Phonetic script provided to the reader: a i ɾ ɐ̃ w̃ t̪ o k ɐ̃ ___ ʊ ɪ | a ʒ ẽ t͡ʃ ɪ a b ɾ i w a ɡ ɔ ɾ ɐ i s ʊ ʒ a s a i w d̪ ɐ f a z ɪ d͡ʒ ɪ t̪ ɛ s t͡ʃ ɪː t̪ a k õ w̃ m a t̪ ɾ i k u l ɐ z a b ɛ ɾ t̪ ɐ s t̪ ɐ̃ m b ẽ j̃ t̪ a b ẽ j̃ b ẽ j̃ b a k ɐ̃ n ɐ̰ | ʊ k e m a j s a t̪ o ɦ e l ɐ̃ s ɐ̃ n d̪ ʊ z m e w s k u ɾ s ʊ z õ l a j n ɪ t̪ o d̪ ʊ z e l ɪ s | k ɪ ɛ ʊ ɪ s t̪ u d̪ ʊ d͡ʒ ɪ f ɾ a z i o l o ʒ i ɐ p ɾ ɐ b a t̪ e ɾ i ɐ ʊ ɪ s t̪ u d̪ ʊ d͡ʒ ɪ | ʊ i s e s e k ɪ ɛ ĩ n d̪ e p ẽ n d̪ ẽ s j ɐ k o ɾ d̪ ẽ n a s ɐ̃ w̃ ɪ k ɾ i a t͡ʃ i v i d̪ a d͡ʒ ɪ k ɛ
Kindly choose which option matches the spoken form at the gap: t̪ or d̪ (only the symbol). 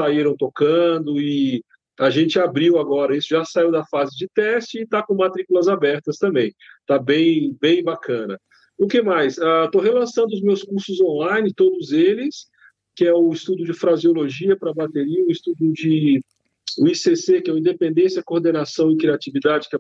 d̪